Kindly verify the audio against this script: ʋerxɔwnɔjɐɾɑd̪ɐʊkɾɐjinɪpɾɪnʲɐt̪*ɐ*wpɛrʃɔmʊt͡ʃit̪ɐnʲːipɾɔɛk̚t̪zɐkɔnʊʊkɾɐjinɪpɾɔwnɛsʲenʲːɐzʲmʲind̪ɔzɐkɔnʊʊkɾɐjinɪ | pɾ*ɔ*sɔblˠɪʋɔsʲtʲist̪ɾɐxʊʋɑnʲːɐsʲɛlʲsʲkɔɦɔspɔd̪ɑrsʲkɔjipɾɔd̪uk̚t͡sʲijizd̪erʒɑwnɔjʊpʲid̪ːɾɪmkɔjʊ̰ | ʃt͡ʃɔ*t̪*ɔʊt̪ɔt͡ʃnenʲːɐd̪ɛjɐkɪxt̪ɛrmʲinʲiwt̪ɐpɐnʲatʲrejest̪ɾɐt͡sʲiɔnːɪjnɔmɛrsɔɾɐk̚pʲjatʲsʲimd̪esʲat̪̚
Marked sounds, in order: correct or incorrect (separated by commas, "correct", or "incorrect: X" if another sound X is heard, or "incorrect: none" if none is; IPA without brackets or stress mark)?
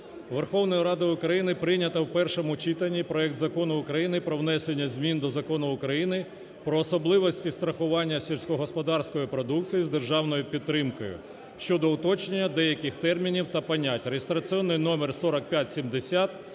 correct, incorrect: ɔː, incorrect: d̪